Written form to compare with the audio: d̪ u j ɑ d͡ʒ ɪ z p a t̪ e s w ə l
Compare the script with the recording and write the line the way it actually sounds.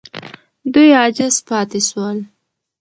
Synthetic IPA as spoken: d̪ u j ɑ d͡ʒ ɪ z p ɑ t̪ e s w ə l